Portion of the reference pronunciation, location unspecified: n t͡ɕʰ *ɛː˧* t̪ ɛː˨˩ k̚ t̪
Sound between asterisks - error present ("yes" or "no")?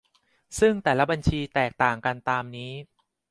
yes